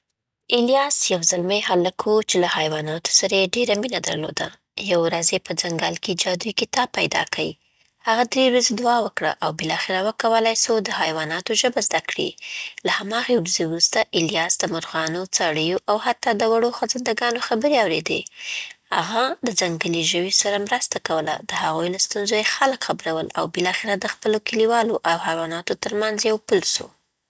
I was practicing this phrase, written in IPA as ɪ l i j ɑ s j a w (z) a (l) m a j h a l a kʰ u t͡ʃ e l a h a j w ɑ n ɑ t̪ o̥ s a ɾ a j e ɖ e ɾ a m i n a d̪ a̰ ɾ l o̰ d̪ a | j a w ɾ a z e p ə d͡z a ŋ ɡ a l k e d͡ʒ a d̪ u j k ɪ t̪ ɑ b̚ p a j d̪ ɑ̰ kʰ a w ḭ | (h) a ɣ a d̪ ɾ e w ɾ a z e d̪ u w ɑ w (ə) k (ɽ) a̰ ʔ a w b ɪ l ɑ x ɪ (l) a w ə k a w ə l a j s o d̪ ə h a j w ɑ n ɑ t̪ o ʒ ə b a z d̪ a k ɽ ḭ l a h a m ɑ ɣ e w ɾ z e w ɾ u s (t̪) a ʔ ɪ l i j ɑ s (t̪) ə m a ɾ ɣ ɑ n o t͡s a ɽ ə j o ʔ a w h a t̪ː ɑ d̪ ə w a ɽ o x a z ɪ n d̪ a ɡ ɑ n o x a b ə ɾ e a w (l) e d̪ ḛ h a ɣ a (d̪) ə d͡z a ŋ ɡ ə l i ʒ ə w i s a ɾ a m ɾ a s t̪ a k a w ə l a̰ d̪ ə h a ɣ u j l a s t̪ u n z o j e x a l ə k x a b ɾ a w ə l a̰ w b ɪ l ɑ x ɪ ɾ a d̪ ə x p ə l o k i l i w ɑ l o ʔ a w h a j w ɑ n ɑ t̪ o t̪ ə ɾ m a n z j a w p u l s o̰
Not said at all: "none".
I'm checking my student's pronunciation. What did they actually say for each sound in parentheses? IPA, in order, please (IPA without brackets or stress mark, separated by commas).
z, l, h, ə, ɽ, ɾ, t̪, d̪, ɾ, d̪